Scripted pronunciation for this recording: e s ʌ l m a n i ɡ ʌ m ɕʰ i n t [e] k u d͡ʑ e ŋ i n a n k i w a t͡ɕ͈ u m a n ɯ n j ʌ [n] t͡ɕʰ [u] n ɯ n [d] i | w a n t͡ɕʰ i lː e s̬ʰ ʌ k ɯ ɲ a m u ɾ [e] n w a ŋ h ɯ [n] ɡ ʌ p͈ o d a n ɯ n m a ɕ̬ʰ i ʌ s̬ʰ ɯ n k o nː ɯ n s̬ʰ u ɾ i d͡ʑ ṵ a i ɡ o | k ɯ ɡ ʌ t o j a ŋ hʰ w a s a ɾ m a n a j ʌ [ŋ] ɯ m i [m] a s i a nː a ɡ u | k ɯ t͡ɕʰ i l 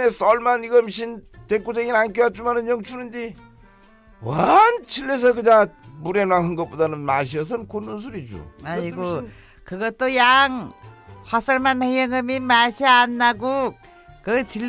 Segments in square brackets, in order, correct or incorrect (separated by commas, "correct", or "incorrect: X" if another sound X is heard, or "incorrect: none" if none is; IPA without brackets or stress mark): correct, incorrect: ŋ, correct, correct, correct, incorrect: ŋ, correct, correct